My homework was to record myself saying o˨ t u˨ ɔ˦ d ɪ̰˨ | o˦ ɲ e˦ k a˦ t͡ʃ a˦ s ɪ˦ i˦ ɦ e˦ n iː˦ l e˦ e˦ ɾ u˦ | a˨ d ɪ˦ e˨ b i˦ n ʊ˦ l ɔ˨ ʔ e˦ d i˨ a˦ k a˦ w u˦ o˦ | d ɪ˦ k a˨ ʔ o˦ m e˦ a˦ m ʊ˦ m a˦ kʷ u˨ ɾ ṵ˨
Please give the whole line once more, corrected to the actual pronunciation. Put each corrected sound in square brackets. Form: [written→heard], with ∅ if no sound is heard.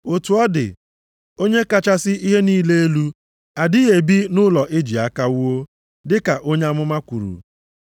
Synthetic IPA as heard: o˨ t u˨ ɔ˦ d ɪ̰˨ | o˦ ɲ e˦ k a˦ t͡ʃ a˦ s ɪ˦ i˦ ɦ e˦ n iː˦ l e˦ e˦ [ɾ→l] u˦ | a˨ d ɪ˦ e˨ b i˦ n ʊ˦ l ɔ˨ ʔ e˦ [d→d͡ʒ] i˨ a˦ k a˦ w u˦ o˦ | d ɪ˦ k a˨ ʔ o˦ [m→ɲ] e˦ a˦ m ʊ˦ m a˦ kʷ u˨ ɾ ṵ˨